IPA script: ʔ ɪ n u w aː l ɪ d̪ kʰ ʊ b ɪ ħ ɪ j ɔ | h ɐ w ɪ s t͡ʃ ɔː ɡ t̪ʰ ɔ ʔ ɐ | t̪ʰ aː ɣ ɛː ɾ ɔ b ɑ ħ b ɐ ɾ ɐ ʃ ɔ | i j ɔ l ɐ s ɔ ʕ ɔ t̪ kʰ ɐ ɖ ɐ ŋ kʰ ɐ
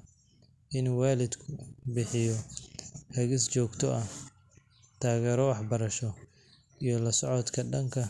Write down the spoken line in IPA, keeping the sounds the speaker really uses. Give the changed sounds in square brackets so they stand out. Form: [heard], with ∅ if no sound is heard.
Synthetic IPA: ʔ ɪ n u w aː l ɪ d̪ kʰ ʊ b ɪ ħ ɪ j ɔ | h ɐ [ɣ] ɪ s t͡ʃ ɔː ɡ t̪ʰ ɔ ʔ ɐ | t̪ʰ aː ɣ ɛː ɾ ɔ [w] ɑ ħ b ɐ ɾ ɐ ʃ ɔ | i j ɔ l ɐ s ɔ ʕ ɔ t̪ kʰ ɐ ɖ ɐ ŋ kʰ ɐ